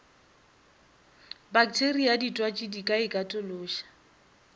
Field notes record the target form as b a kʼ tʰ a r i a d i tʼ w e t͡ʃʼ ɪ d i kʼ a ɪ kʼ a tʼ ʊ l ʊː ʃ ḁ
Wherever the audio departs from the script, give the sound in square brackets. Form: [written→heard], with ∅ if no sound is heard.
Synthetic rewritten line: b a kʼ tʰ [a→e] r i a d i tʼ w [e→a] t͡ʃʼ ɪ d i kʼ a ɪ kʼ a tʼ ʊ l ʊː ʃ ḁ